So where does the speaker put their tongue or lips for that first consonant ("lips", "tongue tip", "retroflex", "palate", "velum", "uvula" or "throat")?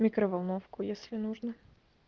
lips